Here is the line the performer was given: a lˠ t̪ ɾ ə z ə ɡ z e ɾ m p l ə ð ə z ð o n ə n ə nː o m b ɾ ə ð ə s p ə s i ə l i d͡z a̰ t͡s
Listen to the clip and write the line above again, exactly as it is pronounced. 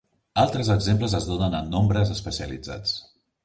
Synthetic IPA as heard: a lˠ t̪ ɾ ə z ə ɡ z e m p l ə z ə z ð o n ə n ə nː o m b ɾ ə z ə s p ə s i ə l i d͡z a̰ t͡s